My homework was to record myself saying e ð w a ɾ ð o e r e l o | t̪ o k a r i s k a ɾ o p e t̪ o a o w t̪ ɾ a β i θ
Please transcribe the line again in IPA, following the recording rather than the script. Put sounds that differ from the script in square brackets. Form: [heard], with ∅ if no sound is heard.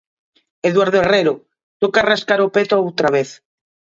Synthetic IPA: e ð w a ɾ ð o e r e [ɾ] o | t̪ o k a r [a] s k a ɾ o p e t̪ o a o w t̪ ɾ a β [e] θ